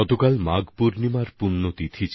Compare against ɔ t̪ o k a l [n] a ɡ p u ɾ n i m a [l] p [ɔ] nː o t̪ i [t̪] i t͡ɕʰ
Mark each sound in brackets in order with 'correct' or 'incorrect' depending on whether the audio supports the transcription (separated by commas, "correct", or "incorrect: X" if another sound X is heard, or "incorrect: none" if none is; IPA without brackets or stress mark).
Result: incorrect: m, incorrect: ɾ, incorrect: u, incorrect: t̪ʰ